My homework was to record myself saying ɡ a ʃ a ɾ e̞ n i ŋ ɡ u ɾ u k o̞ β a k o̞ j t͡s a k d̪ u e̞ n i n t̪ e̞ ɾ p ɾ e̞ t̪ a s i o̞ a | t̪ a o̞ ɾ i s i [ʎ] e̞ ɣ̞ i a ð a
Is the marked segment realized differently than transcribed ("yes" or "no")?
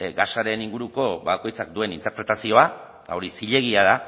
no